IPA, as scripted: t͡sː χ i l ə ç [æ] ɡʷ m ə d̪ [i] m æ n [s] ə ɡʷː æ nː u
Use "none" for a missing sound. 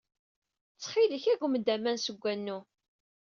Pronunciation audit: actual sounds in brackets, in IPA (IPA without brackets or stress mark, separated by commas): æ, æ, s